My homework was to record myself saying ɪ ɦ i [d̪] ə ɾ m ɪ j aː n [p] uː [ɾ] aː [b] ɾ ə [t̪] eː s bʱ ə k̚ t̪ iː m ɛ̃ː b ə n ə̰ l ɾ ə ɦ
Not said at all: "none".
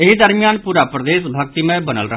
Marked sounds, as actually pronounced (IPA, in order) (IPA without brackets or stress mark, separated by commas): d̪, p, ɾ, p, d̪